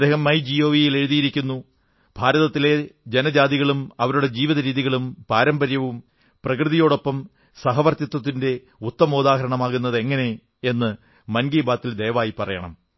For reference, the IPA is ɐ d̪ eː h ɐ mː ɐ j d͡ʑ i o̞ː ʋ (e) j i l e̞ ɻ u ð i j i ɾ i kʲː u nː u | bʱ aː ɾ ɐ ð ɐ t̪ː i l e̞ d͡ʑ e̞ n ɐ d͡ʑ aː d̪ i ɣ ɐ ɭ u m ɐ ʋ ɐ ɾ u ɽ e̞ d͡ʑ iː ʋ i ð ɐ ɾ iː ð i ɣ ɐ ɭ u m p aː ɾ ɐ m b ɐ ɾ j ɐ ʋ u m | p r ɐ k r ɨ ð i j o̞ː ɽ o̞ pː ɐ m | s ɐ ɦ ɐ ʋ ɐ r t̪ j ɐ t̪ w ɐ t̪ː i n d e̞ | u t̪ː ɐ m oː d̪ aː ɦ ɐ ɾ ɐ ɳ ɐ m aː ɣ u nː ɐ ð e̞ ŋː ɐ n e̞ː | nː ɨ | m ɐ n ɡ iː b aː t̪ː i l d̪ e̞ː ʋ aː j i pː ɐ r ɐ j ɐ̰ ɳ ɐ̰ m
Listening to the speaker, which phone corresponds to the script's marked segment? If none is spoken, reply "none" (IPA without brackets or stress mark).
i